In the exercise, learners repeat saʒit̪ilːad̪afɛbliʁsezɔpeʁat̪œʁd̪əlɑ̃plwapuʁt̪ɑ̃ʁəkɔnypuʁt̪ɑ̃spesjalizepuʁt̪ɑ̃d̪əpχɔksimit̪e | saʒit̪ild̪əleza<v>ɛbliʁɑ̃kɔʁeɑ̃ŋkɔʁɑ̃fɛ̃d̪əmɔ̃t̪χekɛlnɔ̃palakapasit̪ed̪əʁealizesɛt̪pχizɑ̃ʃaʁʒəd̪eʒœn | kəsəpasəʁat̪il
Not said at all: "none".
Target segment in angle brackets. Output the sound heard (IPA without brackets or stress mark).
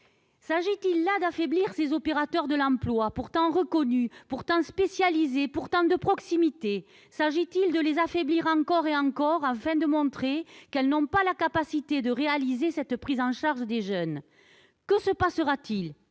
f